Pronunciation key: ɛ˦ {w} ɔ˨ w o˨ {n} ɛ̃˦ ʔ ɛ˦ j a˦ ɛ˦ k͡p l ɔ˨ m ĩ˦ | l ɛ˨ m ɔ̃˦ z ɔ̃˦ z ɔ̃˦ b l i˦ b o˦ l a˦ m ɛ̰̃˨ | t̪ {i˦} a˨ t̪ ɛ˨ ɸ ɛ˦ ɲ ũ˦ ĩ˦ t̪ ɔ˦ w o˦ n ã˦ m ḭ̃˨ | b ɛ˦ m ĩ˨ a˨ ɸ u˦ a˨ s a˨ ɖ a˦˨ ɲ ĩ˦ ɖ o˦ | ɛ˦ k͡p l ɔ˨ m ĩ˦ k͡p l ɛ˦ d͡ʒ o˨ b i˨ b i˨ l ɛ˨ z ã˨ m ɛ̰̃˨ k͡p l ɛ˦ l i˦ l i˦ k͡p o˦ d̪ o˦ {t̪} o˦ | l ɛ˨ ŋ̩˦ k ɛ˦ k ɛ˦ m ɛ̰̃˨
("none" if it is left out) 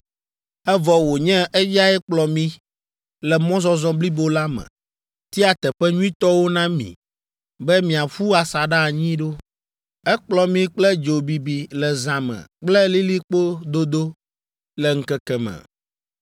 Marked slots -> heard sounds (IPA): v, ɲ, i˦, d̪

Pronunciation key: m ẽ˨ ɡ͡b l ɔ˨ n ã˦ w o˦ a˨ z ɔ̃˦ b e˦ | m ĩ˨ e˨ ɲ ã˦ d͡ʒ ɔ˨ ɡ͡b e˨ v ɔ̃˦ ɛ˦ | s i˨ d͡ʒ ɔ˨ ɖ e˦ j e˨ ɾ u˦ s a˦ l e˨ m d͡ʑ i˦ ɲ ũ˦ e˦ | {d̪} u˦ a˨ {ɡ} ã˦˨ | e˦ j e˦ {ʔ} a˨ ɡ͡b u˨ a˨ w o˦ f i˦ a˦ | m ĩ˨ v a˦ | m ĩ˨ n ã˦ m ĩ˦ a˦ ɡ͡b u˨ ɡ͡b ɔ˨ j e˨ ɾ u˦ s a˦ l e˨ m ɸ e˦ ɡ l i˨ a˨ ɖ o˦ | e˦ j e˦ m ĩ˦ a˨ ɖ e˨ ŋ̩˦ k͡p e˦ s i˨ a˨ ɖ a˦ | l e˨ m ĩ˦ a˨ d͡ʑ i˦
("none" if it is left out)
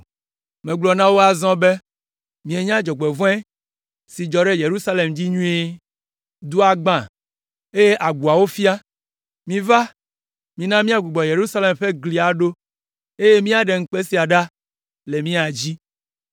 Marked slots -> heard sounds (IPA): d̪, ɡ͡b, ʔ

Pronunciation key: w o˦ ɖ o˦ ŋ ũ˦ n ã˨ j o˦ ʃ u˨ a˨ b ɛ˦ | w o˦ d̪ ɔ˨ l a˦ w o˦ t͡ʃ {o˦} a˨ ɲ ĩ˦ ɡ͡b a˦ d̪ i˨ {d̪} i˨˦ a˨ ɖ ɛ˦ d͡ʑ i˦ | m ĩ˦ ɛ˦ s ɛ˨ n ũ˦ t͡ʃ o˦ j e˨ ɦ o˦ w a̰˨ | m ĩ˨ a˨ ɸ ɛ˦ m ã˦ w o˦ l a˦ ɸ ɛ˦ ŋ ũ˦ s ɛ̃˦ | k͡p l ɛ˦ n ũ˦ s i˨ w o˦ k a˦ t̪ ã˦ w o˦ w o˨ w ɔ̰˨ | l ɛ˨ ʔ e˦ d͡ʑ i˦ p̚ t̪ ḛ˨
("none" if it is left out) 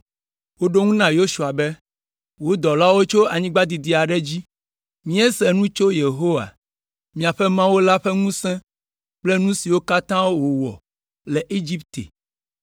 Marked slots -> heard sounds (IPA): o˦, d̪

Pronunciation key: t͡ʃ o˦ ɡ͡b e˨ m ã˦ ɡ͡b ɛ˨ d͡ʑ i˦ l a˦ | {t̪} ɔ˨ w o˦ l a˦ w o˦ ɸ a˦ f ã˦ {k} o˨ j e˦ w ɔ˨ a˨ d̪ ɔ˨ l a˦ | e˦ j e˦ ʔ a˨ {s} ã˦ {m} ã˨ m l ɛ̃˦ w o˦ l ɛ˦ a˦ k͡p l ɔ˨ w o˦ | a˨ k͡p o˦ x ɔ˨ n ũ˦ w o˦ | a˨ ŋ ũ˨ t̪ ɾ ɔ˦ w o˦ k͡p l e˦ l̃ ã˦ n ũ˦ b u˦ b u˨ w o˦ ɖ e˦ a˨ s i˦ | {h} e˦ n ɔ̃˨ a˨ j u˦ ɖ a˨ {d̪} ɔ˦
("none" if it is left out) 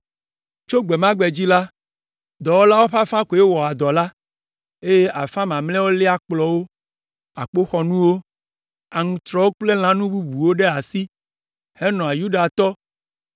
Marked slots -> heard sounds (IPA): d̪, k, f, m, h, t̪

